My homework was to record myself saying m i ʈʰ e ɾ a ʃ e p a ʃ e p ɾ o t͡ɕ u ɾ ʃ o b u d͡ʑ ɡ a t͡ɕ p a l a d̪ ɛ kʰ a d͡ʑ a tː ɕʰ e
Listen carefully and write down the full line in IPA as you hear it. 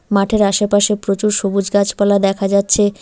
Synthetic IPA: m a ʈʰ e ɾ a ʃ e p a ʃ e p ɾ o t͡ɕ u ɾ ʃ o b u d͡ʑ ɡ a t͡ɕ p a l a d̪ ɛ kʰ a d͡ʑ a tː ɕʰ e